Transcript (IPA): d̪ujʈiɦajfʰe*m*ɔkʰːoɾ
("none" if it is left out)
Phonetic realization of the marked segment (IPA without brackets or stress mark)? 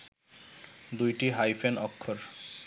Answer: n